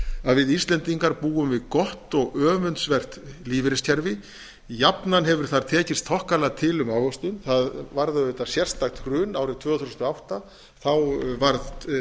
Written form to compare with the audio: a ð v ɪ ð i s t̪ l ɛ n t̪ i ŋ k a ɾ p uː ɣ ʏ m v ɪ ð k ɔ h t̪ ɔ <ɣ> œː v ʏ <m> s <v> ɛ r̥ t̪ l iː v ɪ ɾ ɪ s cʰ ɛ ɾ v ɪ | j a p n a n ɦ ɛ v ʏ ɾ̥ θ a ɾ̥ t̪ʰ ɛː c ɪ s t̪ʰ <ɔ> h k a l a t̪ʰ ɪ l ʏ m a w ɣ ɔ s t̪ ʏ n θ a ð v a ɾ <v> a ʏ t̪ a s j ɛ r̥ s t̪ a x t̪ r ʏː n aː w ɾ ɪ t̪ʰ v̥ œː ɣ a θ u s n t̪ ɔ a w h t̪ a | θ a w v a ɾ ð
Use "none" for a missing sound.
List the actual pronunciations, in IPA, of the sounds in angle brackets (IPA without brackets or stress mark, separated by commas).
ɣ, n, v, ɔ, ð